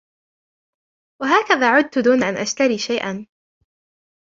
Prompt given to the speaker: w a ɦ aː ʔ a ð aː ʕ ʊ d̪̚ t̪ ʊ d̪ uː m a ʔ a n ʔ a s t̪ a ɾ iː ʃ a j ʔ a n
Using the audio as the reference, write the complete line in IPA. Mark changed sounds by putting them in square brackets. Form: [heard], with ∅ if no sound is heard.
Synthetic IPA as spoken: w a ɦ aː [k] a ð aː ʕ ʊ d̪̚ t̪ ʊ d̪ uː [n] a ʔ a n ʔ a [ʃ] t̪ a ɾ iː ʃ a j ʔ a n